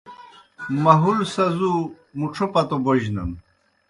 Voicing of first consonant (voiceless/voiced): voiced